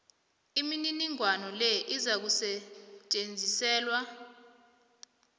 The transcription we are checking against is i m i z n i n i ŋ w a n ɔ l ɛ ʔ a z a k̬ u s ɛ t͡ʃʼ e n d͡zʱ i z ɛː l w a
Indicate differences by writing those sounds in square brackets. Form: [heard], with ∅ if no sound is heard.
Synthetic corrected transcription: i m i [∅] n i n i ŋ w a n ɔ l ɛ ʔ [i] z a k̬ u s ɛ t͡ʃʼ e n d͡zʱ i [s] ɛː l w a